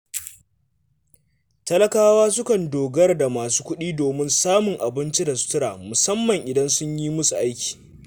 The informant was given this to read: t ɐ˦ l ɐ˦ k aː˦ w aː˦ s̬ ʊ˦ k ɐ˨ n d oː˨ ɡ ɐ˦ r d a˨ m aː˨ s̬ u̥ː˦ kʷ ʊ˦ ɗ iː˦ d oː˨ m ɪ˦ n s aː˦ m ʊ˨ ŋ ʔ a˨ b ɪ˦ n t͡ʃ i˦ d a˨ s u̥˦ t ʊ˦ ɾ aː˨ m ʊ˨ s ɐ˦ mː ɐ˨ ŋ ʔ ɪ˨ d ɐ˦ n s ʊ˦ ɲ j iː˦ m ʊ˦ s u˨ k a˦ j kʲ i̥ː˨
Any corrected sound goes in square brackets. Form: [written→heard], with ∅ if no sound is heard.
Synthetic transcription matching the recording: t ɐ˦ l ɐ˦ k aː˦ w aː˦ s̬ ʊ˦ k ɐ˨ n d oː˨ ɡ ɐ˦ r d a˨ m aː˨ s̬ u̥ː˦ kʷ ʊ˦ ɗ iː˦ d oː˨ m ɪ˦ n s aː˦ m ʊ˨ ŋ ʔ a˨ b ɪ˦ n t͡ʃ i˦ d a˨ s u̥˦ t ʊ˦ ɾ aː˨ m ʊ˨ s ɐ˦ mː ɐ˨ ŋ ʔ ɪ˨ d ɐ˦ n s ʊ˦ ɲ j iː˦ m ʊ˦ s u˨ [k→ʔ] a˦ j kʲ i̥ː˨